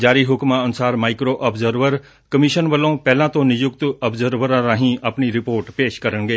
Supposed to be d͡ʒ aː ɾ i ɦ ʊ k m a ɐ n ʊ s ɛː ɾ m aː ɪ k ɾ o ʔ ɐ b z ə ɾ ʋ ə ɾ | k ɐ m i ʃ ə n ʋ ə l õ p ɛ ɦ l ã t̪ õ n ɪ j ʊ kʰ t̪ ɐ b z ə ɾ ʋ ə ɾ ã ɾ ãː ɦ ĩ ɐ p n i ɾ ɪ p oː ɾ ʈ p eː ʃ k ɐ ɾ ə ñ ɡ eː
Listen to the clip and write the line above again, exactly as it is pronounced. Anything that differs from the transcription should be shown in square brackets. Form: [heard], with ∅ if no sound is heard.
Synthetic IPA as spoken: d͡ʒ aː ɾ i ɦ ʊ k m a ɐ n ʊ s [aː] ɾ m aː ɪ k ɾ o ʔ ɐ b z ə ɾ ʋ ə ɾ | k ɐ m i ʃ ə n ʋ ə l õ p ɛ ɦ l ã t̪ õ n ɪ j ʊ [k] t̪ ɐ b z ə ɾ ʋ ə ɾ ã ɾ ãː ɦ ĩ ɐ p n i ɾ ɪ p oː ɾ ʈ p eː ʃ k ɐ ɾ ə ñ ɡ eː